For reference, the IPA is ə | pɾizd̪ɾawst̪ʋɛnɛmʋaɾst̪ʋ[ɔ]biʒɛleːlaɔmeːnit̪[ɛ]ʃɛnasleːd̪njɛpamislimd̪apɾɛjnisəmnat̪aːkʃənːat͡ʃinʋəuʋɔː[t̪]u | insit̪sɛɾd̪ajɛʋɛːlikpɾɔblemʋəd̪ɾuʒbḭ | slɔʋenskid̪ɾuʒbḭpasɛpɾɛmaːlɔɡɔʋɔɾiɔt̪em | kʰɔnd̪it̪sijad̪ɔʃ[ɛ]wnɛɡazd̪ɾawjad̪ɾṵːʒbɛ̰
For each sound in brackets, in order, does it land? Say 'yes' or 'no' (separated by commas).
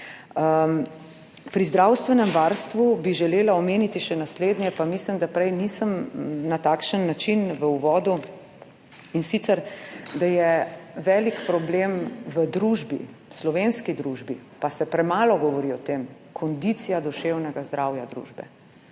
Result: no, no, no, no